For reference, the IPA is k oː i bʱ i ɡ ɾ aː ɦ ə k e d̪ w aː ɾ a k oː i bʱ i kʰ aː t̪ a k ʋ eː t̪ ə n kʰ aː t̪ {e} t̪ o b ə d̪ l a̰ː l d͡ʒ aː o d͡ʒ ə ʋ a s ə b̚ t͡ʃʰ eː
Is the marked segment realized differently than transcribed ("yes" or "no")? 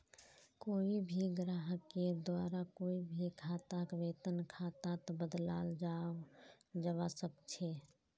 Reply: yes